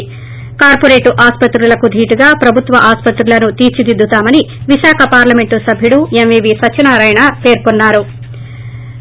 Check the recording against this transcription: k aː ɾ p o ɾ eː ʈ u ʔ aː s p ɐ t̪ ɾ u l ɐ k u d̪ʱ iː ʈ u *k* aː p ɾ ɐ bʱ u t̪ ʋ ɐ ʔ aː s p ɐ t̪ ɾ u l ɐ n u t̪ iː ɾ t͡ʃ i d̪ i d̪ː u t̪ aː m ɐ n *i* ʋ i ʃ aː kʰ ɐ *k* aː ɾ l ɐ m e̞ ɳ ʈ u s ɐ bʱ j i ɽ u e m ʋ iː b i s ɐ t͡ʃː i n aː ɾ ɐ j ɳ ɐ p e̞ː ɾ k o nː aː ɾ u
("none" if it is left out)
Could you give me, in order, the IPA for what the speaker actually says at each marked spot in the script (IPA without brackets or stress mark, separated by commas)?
ɡ, i, p